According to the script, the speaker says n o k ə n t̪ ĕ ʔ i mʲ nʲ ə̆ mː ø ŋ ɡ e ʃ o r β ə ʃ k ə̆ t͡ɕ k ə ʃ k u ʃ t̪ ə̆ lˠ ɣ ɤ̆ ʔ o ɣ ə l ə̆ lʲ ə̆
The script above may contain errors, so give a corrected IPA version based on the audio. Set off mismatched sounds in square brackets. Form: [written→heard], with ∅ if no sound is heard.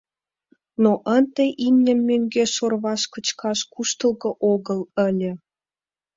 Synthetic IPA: n o [k→ʔ] ə n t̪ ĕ ʔ i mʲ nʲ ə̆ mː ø ŋ ɡ e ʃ o r β [ə→ɑ] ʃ k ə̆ t͡ɕ k [ə→ɑ] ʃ k u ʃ t̪ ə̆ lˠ ɣ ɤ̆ ʔ o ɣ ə l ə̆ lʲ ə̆